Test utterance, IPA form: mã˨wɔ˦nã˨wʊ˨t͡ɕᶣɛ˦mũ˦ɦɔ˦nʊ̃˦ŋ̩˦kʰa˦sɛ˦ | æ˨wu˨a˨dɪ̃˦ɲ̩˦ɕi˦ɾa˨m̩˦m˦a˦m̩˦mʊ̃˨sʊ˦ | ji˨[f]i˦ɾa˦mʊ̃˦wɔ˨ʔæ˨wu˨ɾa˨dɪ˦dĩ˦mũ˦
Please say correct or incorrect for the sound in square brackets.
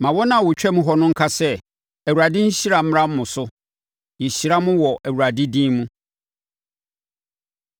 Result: incorrect